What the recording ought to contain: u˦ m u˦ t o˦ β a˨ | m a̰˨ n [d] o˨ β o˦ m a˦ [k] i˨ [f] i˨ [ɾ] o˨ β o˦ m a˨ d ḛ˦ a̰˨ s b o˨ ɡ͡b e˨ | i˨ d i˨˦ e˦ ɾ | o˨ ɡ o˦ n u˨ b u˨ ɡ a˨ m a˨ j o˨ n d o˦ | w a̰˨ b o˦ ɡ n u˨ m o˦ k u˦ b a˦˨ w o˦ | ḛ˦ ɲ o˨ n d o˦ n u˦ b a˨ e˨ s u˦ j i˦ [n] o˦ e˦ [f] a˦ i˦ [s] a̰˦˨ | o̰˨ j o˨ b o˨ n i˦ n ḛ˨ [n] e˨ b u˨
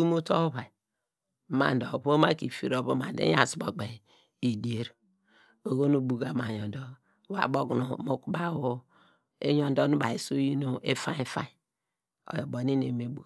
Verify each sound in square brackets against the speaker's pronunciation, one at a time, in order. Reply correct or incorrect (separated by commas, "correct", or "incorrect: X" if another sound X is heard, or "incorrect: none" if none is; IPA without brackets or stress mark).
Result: correct, correct, correct, correct, correct, correct, incorrect: f, incorrect: m